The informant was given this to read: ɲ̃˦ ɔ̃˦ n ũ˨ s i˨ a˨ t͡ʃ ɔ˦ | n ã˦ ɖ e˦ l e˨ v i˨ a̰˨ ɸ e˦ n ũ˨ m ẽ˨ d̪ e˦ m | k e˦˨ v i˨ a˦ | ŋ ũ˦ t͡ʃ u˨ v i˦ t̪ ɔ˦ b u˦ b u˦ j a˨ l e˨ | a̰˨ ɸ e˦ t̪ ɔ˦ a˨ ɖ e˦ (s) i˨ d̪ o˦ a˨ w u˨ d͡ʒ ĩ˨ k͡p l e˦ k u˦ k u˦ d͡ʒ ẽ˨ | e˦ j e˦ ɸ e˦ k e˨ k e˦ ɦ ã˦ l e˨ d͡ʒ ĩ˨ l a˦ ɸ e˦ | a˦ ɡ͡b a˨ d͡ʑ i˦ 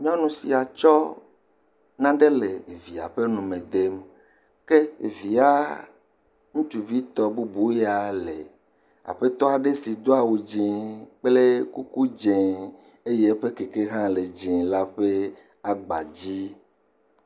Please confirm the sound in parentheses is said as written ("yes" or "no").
yes